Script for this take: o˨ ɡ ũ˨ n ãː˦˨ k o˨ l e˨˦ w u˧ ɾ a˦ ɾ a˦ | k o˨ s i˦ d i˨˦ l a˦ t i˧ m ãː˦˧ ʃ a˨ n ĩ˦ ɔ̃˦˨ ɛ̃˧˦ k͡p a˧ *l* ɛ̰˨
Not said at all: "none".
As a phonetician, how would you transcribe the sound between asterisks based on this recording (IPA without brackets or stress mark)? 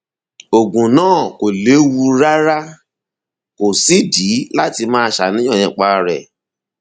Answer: ɾ